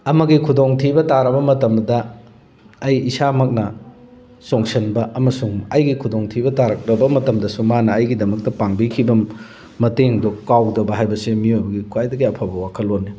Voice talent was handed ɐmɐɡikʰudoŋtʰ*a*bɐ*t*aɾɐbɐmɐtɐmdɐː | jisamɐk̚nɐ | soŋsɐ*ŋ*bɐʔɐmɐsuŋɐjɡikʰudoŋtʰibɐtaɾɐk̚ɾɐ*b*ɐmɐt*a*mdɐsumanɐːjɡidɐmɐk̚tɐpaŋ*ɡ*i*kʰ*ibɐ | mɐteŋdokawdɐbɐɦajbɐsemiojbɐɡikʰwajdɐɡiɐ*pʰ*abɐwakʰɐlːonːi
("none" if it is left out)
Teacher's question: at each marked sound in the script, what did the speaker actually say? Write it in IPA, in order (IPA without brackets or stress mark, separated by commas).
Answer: i, t, n, b, ɐ, b, kʰ, pʰ